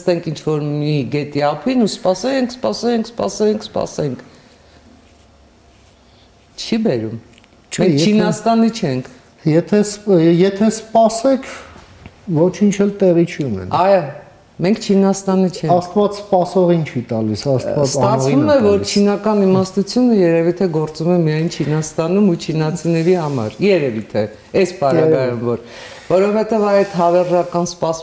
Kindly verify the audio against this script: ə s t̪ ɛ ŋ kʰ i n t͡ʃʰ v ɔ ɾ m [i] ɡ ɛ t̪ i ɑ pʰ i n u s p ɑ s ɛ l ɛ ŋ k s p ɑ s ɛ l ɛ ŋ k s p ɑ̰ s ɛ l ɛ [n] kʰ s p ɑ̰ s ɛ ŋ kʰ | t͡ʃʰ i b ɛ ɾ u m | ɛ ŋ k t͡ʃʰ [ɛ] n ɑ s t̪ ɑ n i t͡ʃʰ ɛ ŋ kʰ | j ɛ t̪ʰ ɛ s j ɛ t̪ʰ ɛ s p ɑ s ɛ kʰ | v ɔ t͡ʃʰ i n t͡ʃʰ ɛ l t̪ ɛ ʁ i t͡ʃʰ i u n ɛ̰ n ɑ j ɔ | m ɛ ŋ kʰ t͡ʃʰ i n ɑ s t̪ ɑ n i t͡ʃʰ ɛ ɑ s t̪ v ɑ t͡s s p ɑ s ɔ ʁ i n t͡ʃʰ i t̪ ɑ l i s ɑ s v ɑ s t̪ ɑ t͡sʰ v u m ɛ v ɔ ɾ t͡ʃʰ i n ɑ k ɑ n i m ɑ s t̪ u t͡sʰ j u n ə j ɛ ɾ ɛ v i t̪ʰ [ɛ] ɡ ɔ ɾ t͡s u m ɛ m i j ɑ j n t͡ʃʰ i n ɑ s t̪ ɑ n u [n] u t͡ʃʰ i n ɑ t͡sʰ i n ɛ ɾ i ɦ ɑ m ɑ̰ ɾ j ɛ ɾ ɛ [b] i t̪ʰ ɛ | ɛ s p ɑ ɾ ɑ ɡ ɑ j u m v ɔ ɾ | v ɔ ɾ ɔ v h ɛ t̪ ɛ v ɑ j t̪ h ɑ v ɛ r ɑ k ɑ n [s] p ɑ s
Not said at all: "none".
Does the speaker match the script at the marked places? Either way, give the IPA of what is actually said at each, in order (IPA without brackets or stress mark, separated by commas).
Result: i, ŋ, i, ɛ, m, v, s